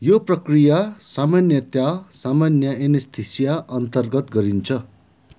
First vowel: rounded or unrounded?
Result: rounded